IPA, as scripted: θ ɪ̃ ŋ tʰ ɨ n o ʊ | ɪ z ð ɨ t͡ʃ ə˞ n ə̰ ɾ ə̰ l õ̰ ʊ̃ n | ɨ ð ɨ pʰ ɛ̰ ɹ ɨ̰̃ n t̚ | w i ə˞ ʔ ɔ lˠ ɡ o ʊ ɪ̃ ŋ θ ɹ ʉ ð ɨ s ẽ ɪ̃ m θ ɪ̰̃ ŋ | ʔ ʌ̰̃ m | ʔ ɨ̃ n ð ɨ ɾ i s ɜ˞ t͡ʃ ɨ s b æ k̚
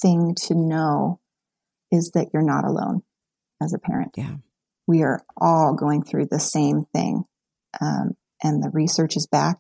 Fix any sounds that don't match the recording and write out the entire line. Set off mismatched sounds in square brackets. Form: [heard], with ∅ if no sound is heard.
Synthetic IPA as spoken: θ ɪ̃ ŋ tʰ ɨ n o ʊ | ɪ z ð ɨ t͡ʃ ə˞ n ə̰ ɾ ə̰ l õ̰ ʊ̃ n | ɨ [z] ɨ pʰ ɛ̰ ɹ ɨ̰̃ n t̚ | w i ə˞ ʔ ɔ lˠ ɡ o ʊ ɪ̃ ŋ θ ɹ ʉ ð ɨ s ẽ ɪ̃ m θ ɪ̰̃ ŋ | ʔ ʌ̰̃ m | ʔ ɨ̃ n ð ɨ [ɹ] i s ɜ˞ t͡ʃ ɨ [z] b æ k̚